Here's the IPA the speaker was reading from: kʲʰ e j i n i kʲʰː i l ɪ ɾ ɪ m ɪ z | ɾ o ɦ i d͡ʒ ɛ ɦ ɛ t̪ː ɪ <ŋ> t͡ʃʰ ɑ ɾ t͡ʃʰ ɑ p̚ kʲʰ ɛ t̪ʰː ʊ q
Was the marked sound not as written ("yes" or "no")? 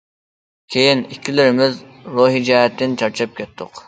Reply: yes